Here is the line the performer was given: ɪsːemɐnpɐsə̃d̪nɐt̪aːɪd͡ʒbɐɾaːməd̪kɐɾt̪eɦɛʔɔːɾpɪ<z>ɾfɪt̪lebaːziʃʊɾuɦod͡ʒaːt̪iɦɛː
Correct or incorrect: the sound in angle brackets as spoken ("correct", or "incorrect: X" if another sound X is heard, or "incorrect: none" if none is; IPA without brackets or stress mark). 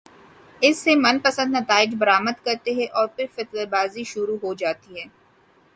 incorrect: none